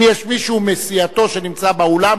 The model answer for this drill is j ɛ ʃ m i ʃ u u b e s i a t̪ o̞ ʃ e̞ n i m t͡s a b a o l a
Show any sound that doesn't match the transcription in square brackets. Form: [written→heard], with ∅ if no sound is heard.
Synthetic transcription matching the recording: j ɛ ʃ m i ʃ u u [b→m] e s i a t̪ o̞ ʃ e̞ n i m t͡s a b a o l a